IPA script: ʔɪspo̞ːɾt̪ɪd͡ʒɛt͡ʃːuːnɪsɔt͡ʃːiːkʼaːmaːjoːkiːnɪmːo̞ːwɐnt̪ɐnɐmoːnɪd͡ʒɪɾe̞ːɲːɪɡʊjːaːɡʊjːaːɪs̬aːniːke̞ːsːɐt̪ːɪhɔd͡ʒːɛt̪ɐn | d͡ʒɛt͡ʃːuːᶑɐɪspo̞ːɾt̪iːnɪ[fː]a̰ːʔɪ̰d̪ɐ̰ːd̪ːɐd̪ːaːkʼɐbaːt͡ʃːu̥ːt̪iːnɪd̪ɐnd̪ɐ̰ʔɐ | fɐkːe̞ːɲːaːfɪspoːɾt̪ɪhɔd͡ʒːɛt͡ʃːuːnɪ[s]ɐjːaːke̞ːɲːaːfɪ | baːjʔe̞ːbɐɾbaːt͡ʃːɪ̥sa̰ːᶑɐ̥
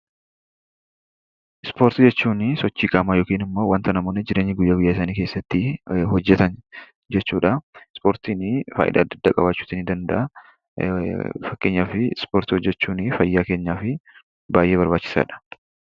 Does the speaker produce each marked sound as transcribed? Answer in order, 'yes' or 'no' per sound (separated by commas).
no, no